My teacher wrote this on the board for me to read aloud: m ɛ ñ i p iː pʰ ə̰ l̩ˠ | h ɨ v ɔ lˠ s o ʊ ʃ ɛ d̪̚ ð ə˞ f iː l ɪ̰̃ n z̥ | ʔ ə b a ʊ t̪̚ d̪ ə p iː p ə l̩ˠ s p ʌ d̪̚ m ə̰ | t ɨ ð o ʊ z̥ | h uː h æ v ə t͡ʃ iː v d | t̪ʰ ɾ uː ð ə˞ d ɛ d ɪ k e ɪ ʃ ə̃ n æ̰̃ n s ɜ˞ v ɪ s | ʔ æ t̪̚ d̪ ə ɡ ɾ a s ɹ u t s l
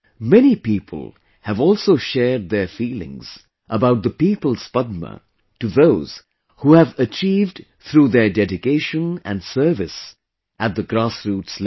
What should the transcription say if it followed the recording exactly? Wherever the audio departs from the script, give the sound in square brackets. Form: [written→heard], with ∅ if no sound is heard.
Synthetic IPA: m ɛ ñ i p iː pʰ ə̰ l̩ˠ | h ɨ v ɔ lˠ s o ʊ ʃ ɛ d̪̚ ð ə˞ f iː l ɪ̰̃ [n→ŋ] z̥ | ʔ ə b a ʊ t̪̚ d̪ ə p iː p ə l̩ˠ s p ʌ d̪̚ m ə̰ | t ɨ ð o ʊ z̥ | h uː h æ v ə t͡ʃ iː v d | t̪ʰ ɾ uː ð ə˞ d ɛ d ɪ k e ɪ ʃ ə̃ n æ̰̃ n s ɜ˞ v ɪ s | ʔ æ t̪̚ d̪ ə ɡ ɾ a s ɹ u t s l